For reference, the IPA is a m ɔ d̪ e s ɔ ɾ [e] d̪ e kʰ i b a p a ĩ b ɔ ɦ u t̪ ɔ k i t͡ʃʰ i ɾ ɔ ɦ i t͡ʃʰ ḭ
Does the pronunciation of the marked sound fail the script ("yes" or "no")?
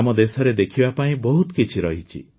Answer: no